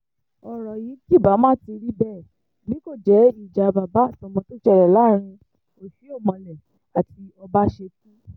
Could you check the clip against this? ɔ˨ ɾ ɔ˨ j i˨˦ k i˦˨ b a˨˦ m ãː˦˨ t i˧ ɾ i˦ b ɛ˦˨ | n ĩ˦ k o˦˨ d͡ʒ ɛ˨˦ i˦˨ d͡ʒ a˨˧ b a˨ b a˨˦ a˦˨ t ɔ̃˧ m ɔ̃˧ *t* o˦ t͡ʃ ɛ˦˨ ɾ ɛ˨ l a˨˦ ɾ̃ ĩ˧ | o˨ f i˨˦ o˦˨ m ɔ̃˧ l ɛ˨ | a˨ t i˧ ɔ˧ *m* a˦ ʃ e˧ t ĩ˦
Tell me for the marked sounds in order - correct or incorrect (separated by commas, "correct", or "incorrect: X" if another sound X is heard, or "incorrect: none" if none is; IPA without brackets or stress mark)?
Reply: correct, incorrect: b